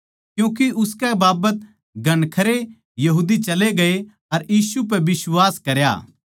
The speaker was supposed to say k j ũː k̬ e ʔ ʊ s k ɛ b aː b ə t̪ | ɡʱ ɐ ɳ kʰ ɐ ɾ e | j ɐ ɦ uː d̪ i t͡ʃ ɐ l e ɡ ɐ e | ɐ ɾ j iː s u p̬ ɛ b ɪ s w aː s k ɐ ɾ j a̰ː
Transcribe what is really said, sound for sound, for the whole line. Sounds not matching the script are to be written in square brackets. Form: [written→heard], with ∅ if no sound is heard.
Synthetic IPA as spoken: k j ũː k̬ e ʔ ʊ s k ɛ b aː b ə t̪ | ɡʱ ɐ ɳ kʰ ɐ ɾ e | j ɐ ɦ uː d̪ i t͡ʃ ɐ l e ɡ ɐ e | ɐ ɾ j iː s u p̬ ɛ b ɪ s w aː s k ɐ ɾ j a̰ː